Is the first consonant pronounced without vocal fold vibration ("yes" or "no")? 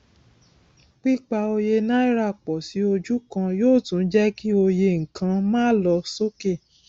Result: yes